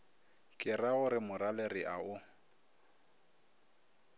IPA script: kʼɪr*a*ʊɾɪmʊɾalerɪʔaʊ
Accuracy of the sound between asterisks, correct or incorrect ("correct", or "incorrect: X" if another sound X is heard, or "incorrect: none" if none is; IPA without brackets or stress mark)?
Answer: correct